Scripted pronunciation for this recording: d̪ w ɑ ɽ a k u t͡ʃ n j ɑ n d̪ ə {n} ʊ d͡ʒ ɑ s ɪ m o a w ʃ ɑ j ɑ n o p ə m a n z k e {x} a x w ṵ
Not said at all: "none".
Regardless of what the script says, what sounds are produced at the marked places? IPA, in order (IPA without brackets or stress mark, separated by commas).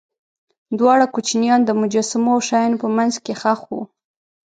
m, x